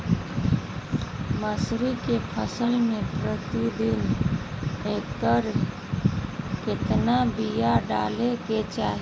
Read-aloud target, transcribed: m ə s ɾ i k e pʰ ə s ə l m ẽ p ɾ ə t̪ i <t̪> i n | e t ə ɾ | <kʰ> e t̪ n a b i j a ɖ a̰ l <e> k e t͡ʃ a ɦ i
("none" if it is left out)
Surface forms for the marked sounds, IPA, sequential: d̪, k, e

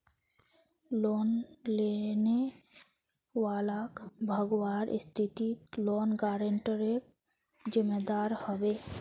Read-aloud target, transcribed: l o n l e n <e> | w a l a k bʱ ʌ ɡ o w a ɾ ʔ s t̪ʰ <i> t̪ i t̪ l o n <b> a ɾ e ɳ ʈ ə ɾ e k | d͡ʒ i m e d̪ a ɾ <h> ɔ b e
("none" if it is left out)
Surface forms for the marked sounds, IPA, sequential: e, i, ɡ, h

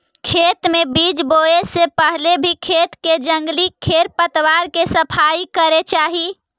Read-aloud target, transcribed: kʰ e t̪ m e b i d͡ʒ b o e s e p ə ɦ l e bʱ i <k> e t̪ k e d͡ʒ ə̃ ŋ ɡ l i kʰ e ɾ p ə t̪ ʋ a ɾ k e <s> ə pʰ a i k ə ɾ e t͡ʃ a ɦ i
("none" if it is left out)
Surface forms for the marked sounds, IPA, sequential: kʰ, s

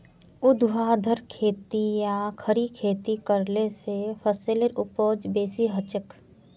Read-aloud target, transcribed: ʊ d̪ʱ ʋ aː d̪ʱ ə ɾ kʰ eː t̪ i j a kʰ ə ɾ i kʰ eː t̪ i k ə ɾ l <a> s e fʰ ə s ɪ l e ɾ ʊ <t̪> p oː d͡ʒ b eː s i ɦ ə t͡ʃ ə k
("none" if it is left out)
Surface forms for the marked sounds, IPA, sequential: e, none

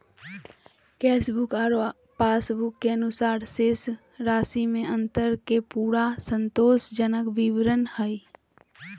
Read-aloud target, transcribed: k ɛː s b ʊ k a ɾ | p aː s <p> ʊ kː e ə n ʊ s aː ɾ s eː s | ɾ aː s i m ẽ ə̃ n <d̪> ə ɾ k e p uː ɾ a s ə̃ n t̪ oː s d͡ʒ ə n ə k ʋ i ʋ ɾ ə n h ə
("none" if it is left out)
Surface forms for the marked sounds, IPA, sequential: b, t̪

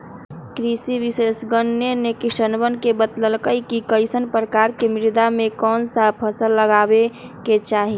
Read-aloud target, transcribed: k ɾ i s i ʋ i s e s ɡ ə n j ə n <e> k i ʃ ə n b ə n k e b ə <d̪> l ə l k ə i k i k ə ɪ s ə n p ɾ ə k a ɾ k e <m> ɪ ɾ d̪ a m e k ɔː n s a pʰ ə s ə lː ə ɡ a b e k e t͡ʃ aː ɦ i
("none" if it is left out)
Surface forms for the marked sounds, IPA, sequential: e, t̪, m

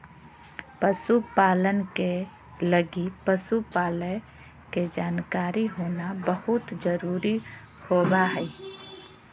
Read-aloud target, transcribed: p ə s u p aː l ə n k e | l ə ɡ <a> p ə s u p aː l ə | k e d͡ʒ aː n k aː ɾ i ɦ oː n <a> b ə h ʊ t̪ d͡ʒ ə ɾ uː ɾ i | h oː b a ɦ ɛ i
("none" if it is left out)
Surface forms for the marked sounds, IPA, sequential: i, a

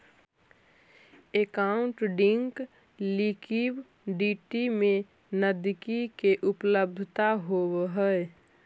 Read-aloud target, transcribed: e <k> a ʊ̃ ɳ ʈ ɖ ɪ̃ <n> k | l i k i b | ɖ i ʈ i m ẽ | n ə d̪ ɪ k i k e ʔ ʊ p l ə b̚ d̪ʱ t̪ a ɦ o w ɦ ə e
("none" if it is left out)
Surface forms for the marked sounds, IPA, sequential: k, ŋ

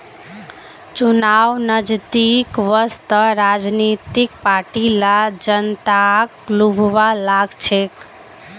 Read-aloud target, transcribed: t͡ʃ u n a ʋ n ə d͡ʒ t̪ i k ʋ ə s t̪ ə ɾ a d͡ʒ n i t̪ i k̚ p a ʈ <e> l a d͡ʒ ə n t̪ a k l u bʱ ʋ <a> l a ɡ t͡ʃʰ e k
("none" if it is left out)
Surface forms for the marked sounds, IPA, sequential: i, a

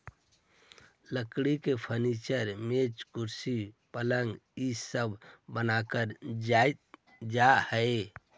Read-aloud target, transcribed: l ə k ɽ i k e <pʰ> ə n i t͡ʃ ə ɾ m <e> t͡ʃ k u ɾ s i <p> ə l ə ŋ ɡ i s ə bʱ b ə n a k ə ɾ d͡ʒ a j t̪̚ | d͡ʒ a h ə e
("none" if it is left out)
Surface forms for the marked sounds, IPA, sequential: pʰ, e, p

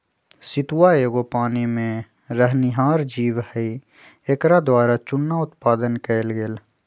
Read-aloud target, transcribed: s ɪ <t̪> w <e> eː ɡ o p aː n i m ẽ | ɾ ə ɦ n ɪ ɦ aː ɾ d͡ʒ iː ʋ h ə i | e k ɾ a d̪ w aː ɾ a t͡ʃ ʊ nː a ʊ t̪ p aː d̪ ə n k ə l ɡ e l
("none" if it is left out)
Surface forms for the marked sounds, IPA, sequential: t̪, a

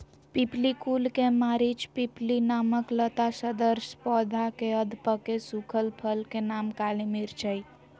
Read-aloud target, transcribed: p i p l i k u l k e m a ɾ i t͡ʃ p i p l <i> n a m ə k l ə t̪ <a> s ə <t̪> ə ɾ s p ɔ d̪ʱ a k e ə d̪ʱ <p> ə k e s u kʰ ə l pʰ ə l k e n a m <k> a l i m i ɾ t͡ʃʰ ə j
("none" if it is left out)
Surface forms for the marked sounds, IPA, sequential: i, a, d̪, p, k

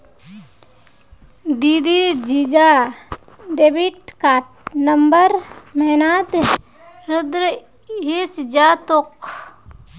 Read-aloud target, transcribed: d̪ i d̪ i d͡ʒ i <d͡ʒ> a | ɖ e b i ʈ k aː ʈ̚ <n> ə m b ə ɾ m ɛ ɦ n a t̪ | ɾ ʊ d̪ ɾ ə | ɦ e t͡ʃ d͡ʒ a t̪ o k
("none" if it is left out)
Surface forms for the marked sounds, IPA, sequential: d͡ʒ, n

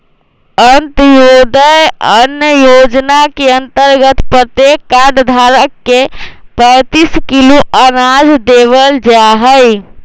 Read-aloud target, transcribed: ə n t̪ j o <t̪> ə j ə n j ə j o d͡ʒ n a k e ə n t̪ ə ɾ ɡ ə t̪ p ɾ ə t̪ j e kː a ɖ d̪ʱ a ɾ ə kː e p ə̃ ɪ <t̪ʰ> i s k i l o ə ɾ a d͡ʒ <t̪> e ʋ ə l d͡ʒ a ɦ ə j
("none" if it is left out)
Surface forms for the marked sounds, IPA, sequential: d̪, t̪, d̪

